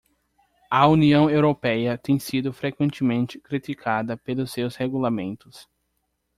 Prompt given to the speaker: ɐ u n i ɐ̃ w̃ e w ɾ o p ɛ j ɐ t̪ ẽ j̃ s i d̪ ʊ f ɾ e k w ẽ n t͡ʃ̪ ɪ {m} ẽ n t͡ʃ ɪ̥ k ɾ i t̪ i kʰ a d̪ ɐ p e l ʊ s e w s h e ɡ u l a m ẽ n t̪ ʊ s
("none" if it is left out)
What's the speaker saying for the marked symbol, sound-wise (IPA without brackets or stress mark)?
m